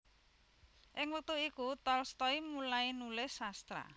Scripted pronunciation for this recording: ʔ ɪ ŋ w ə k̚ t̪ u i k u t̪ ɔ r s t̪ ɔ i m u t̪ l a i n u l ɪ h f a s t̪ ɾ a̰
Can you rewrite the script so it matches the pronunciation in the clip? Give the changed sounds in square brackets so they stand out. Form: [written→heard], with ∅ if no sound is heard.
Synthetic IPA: ʔ ɪ ŋ w ə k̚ t̪ u i k u t̪ ɔ [r→l] s t̪ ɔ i m u [t̪→∅] l a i n u l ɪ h [f→s] a s t̪ ɾ a̰